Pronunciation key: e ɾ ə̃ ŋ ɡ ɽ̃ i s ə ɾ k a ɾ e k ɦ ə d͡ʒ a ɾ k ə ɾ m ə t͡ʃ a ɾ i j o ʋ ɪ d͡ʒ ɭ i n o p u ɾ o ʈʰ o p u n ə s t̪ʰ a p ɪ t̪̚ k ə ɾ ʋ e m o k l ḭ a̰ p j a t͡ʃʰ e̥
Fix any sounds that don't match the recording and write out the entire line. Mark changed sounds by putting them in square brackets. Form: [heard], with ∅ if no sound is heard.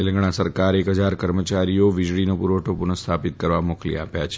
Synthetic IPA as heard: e [l] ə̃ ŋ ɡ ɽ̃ [a] s ə ɾ k a ɾ e k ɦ ə d͡ʒ a ɾ k ə ɾ m ə t͡ʃ a ɾ i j o ʋ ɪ d͡ʒ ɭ i n o p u ɾ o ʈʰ o p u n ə s t̪ʰ a p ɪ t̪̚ k ə ɾ ʋ [a] m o k l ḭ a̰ p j a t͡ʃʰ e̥